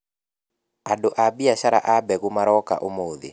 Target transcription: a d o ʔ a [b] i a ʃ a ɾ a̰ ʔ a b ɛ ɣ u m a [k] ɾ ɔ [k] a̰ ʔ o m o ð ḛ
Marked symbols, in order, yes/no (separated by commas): yes, no, yes